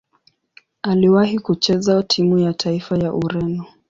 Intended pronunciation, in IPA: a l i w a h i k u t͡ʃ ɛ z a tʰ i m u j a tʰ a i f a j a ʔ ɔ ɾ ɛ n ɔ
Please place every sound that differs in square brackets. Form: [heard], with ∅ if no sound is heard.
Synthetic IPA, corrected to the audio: a l i w a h i k u t͡ʃ ɛ z a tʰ i m u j a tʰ a i f a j a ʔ [u] ɾ ɛ n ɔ